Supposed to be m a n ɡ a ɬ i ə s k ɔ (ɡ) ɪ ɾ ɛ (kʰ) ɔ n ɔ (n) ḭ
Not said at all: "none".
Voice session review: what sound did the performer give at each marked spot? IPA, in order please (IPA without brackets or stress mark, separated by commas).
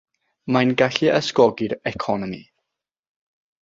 ɡ, kʰ, m